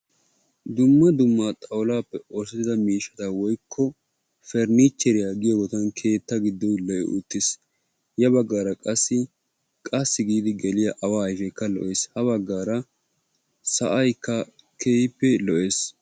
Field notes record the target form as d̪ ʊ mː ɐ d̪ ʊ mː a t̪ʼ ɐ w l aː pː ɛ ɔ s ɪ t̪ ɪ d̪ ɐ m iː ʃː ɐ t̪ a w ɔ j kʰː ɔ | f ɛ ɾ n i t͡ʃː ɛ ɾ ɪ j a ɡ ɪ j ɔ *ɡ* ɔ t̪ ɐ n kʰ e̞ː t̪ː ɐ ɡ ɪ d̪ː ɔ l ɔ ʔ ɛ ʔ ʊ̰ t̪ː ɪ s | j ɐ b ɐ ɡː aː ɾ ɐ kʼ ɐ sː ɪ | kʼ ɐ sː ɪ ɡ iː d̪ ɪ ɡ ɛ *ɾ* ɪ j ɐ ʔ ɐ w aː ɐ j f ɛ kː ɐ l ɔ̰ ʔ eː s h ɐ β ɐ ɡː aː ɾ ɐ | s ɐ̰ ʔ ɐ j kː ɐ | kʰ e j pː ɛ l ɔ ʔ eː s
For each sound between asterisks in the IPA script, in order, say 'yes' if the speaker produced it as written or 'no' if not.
yes, no

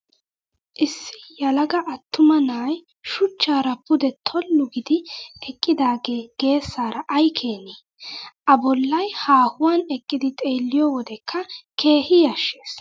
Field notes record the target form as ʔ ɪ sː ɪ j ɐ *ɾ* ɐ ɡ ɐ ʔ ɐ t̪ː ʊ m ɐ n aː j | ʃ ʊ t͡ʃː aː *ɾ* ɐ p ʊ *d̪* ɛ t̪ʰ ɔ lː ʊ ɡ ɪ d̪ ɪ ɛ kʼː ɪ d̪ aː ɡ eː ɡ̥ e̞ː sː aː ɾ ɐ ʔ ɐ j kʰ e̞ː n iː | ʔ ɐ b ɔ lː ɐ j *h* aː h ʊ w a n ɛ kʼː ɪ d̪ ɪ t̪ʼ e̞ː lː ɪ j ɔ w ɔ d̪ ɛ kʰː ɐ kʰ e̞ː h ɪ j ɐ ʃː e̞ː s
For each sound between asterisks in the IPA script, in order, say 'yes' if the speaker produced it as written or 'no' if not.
no, yes, yes, yes

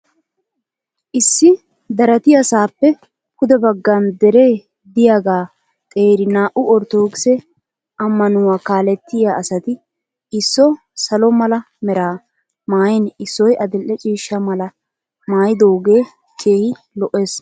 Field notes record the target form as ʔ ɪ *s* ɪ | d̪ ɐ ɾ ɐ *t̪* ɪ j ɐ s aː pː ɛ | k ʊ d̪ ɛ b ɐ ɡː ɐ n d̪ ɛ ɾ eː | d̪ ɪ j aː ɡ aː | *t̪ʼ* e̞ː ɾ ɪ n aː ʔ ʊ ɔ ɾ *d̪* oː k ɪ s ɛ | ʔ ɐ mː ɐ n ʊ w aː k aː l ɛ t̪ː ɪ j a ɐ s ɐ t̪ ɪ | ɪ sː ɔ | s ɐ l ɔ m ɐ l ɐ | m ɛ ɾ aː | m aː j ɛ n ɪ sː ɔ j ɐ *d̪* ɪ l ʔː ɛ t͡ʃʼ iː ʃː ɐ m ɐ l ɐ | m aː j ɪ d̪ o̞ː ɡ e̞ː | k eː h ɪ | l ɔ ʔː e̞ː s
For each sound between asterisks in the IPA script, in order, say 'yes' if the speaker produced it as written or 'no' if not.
no, yes, yes, no, yes

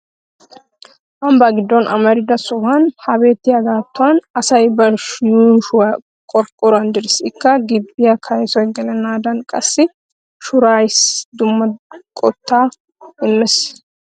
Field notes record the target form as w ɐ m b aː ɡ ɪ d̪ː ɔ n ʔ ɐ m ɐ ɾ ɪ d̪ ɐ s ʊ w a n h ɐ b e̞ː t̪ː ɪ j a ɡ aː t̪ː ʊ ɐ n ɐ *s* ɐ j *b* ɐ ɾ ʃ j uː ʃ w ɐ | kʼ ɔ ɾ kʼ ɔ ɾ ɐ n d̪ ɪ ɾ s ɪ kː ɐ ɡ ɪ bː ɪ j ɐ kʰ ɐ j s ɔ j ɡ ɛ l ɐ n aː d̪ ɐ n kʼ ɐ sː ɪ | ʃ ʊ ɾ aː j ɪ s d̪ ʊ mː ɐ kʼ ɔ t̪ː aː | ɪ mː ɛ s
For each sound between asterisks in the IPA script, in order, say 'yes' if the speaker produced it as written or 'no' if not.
yes, yes

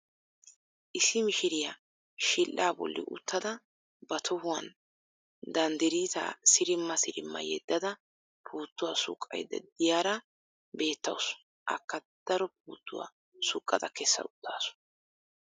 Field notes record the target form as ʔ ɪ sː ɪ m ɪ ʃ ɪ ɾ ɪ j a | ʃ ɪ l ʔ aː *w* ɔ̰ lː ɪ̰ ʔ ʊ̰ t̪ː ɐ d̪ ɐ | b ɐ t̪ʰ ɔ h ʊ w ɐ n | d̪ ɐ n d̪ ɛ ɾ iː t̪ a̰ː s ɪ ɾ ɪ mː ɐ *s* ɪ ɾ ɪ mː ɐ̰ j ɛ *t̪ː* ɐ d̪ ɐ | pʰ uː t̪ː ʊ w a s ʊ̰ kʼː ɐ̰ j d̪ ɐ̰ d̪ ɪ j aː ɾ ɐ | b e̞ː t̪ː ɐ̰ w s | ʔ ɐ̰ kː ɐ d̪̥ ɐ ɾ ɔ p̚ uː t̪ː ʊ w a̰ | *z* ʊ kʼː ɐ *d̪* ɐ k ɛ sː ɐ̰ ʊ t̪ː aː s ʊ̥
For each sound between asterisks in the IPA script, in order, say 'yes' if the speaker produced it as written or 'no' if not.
no, yes, no, no, yes

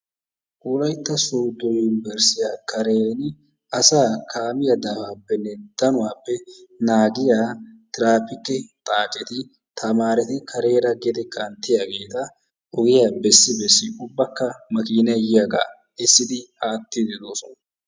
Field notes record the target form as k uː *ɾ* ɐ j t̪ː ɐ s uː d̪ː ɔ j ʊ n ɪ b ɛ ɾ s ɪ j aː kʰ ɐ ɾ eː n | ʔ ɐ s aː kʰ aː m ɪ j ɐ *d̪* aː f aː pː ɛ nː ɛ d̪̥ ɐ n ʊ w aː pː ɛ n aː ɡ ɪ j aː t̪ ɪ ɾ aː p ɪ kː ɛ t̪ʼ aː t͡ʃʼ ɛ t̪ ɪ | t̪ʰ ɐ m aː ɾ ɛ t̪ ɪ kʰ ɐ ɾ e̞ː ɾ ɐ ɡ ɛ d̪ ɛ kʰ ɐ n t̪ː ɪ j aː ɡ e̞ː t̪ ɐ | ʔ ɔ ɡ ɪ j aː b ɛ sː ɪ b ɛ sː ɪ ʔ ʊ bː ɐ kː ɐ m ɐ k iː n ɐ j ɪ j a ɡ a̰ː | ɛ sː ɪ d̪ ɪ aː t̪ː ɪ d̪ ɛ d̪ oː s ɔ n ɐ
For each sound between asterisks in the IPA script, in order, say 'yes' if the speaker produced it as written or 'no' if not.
no, yes

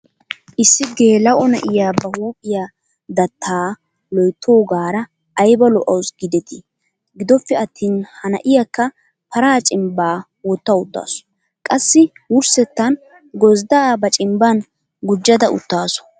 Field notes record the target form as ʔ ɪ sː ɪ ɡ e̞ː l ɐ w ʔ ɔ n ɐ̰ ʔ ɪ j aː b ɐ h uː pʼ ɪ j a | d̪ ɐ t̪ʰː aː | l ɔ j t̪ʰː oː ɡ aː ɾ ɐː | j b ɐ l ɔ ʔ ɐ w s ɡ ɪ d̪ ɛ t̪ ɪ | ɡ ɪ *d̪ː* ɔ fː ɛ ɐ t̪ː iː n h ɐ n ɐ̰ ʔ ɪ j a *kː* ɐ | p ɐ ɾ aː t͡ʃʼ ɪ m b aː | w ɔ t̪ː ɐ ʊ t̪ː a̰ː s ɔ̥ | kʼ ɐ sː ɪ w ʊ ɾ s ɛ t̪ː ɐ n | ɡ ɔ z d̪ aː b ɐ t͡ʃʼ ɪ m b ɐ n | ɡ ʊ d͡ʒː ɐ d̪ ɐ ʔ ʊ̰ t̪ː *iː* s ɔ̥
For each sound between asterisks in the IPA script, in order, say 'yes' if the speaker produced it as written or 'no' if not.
no, yes, no

